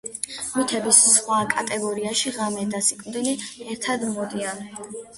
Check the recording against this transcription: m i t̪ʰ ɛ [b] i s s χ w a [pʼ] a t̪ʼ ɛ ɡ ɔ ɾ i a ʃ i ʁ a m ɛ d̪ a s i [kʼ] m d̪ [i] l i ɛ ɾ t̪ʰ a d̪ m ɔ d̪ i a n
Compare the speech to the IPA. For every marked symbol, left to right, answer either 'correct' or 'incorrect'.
correct, incorrect, correct, correct

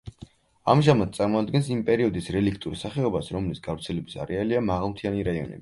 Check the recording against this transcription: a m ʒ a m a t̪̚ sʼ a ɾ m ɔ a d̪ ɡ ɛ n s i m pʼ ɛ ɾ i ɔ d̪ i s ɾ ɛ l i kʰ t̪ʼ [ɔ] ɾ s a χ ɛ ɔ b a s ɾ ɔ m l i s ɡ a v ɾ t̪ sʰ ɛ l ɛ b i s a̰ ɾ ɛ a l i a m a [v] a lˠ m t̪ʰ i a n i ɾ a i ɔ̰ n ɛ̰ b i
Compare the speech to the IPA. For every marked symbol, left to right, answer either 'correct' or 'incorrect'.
incorrect, incorrect

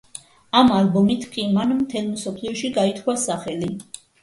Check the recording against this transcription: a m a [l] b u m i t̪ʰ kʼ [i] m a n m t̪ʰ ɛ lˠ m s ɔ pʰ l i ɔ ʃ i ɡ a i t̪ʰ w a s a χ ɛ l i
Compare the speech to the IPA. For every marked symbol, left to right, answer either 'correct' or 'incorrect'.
correct, correct

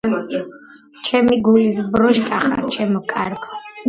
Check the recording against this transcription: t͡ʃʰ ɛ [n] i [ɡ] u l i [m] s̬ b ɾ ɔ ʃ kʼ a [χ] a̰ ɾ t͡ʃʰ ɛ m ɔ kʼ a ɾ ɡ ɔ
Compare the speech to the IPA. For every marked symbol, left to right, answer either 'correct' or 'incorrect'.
incorrect, correct, incorrect, correct

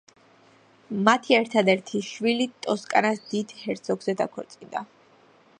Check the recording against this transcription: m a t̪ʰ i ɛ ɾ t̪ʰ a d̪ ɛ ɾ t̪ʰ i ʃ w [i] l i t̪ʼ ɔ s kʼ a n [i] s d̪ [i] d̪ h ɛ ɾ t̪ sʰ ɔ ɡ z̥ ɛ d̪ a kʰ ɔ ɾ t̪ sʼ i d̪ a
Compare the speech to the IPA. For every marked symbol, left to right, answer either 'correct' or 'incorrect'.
correct, incorrect, correct

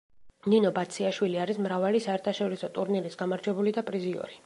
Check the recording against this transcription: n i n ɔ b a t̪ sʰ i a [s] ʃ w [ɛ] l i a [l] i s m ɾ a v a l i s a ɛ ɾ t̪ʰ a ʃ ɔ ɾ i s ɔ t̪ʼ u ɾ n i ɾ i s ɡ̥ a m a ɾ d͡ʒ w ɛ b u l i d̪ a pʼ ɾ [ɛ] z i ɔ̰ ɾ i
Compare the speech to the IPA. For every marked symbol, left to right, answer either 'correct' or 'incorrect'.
incorrect, incorrect, incorrect, incorrect

